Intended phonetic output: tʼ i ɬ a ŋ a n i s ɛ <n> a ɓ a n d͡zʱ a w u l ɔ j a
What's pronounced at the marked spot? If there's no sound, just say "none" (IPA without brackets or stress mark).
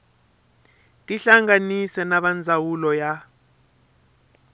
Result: n